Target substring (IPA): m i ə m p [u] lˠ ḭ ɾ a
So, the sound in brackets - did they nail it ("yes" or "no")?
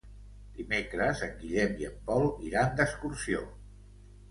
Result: no